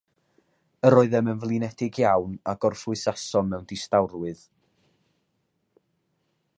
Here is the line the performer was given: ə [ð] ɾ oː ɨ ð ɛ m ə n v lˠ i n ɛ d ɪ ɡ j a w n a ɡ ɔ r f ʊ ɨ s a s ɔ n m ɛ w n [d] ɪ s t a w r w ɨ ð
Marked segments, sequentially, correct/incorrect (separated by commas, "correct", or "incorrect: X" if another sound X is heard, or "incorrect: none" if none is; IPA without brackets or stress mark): incorrect: none, correct